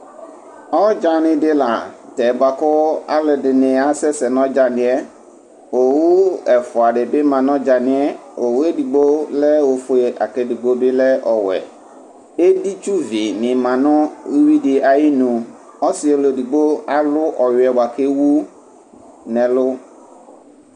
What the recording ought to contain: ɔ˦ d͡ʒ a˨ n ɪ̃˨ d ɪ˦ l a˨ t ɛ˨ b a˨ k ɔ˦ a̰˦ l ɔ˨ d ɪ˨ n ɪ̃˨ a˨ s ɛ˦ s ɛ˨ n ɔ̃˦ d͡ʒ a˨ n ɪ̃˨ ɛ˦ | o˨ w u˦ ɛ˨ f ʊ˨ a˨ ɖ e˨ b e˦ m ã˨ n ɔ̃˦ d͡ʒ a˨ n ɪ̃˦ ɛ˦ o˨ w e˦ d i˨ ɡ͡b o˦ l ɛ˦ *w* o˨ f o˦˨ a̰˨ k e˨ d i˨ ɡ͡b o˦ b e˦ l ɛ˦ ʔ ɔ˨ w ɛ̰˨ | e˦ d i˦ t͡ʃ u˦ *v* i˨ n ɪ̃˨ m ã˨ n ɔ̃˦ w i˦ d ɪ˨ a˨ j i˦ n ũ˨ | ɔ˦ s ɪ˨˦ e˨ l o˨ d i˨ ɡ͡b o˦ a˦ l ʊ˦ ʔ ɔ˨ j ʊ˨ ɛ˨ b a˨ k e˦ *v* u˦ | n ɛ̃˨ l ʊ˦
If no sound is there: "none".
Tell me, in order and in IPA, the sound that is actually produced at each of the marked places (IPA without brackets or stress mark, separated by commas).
w, v, w